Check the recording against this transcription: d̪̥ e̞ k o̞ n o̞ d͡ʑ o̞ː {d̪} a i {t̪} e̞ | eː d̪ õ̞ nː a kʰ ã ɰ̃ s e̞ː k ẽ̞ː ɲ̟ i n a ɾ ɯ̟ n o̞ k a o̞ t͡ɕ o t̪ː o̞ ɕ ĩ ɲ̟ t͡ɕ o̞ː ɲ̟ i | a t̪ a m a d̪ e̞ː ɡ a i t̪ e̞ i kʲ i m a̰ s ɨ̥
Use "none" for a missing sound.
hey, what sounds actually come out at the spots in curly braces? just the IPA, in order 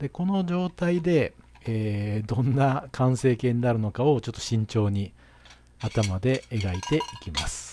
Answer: t̪, d̪

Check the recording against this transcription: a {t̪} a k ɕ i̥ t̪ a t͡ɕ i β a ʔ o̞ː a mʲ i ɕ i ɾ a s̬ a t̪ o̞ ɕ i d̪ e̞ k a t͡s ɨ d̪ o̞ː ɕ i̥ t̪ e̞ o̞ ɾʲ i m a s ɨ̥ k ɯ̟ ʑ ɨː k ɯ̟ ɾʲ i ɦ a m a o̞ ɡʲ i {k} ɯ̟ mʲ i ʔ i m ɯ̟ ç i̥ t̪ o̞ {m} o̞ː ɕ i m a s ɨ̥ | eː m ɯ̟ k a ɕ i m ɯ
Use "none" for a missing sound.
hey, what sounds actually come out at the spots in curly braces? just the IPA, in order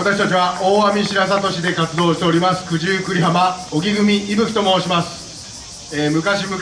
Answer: t̪, ɡ, m

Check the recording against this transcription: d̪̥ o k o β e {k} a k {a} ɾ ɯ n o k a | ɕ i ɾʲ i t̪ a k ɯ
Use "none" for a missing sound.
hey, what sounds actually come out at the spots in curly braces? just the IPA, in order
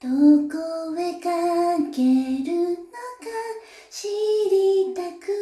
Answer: k, e

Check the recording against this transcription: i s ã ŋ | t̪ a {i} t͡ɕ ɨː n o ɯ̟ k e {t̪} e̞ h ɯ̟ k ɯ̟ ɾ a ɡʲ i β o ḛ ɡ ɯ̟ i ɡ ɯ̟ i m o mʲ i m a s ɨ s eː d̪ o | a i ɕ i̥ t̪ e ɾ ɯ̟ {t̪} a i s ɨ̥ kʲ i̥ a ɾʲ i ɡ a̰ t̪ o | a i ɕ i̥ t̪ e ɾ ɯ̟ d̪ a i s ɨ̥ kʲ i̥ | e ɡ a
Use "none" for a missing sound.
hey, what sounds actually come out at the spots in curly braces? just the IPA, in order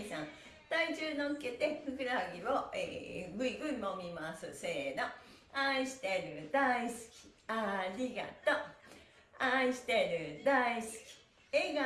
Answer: i, t̪, d̪

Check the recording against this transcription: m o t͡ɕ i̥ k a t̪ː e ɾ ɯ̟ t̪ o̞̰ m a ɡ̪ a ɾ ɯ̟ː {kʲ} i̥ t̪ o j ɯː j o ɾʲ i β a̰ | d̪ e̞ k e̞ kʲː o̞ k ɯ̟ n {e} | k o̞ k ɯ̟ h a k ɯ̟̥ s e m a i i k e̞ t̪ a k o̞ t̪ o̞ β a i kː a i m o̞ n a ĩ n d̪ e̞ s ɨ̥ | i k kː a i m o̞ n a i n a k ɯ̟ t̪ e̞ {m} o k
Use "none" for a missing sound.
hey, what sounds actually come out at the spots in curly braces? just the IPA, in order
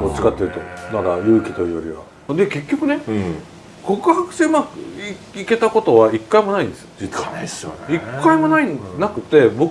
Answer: kʲ, e, b

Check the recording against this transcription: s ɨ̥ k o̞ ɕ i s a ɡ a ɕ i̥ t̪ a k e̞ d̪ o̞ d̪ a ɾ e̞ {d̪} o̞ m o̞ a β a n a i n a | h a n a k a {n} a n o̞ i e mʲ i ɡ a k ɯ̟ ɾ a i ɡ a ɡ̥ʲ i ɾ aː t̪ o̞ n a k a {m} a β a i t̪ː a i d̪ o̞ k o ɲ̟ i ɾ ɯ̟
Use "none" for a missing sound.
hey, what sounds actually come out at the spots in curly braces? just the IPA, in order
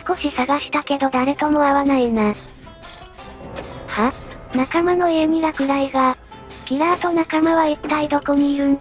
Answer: t̪, m, m

